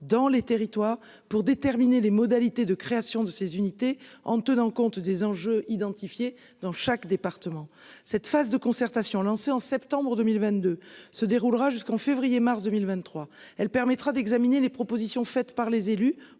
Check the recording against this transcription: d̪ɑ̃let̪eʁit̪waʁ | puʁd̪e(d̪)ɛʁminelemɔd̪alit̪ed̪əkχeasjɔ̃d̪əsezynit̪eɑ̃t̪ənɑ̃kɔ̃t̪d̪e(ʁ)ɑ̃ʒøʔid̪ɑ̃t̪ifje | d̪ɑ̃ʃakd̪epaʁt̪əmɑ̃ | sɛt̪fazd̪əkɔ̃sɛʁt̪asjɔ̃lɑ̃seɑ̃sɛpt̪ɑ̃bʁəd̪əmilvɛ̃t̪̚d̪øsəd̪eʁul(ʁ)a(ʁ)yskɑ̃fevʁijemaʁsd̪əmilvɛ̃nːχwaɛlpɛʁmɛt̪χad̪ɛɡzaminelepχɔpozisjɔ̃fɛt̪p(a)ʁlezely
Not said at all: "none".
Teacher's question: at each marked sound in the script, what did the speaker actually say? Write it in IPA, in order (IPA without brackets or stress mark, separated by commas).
t̪, z, ʁ, ʒ, a